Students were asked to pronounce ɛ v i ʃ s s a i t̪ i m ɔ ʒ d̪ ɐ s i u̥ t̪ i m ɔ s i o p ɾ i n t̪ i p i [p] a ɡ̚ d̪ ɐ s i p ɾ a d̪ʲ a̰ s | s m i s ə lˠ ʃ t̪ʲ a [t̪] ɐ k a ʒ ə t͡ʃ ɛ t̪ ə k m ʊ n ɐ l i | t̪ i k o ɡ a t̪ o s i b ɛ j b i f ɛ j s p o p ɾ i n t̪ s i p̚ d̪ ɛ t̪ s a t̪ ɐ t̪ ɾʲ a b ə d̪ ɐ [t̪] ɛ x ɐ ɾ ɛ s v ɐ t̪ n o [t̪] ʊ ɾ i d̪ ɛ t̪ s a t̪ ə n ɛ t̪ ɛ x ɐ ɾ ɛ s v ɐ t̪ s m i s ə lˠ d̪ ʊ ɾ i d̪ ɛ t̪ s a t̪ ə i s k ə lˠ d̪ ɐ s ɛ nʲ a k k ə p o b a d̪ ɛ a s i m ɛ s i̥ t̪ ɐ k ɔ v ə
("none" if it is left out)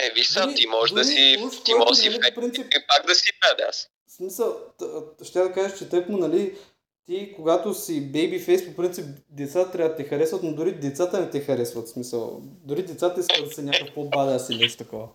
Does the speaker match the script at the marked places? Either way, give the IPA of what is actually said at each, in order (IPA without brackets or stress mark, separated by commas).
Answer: p, d̪, t̪, d̪